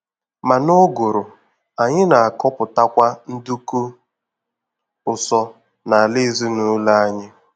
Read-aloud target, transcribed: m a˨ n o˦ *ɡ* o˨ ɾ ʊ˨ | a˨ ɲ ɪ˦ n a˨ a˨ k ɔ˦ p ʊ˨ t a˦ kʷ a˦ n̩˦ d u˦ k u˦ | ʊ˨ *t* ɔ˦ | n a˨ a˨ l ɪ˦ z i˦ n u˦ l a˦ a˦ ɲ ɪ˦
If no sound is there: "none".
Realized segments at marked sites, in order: ɡ, s

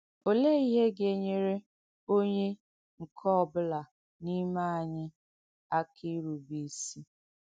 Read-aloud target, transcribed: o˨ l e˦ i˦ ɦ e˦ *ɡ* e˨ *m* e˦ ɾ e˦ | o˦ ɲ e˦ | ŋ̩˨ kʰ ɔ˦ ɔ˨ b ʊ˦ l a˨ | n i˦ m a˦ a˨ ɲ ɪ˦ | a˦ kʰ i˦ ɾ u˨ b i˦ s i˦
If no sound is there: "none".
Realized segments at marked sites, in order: ɡ, ɲ

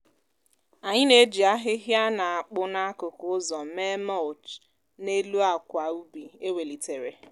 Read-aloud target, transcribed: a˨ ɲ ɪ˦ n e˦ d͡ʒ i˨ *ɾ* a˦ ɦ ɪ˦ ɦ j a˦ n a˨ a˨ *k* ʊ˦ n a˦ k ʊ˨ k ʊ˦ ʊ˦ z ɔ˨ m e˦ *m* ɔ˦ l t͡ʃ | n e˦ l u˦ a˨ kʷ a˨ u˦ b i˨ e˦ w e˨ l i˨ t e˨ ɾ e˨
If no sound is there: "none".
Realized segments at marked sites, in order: none, k͡p, m

